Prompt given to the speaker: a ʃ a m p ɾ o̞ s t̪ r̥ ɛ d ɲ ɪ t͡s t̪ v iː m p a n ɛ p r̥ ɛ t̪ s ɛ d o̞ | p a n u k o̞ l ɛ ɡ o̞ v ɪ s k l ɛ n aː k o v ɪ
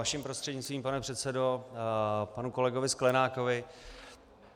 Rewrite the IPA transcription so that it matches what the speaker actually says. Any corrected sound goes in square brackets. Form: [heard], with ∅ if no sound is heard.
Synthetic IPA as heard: a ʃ [i] m p ɾ o̞ s t̪ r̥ ɛ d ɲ ɪ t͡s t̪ v iː m p a n ɛ p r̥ ɛ t̪ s ɛ d o̞ | p a n u k o̞ l ɛ ɡ o̞ v ɪ s k l ɛ n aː k o v ɪ